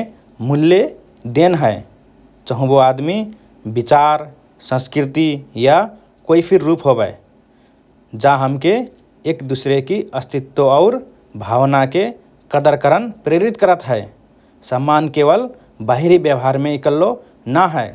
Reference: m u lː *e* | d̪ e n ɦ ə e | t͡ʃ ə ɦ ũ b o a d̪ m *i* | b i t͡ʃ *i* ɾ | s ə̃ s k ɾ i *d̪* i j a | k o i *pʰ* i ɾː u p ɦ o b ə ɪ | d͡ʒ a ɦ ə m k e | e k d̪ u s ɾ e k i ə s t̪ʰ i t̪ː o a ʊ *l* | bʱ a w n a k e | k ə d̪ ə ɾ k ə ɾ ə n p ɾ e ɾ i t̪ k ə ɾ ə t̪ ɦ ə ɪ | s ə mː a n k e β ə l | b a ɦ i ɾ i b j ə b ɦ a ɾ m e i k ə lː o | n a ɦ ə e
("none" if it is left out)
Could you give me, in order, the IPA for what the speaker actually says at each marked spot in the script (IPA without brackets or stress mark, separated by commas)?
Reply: e, i, a, t̪, pʰ, ɾ